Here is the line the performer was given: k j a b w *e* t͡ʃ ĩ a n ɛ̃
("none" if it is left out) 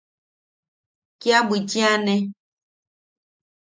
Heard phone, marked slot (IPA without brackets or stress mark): i